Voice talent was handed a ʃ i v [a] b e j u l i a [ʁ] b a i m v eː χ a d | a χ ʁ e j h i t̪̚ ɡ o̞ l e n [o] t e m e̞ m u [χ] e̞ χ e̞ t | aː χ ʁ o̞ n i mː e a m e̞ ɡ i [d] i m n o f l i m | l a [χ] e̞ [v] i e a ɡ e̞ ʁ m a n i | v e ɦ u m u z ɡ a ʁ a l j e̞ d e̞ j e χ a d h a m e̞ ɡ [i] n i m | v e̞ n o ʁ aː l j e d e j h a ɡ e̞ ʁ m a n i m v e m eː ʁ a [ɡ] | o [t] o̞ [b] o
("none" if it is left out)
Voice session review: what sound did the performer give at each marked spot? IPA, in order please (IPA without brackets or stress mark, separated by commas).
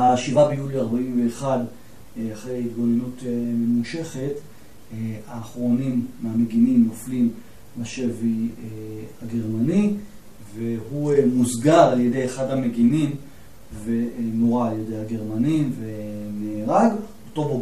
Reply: a, ʁ, u, ʃ, n, ʃ, v, i, ɡ, t, b